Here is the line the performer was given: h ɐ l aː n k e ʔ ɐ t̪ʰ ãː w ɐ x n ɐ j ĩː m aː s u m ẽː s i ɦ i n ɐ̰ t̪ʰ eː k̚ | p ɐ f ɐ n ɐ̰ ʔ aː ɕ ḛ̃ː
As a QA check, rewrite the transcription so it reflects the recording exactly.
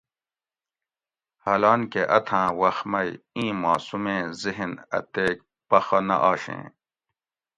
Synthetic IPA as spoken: h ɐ l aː n k e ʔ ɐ t̪ʰ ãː w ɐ x m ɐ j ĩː m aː s u m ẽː z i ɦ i n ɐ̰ t̪ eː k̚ | p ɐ x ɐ n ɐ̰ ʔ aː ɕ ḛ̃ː